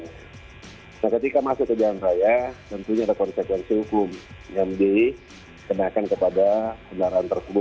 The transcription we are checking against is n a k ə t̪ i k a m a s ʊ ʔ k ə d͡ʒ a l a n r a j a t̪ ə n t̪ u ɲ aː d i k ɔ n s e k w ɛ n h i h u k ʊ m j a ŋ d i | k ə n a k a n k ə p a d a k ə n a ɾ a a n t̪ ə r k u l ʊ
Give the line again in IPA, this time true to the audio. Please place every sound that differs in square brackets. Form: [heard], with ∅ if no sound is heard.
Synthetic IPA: n a k ə t̪ i k a m a s ʊ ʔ k ə d͡ʒ a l a n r a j a t̪ ə n t̪ u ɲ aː d [a] k ɔ n s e k w ɛ n [s] i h u k ʊ m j a ŋ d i | k ə n a k a n k ə p a d a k ə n a ɾ a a n t̪ ə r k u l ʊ